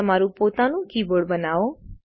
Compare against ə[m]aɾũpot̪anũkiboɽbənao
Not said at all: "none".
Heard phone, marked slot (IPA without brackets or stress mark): m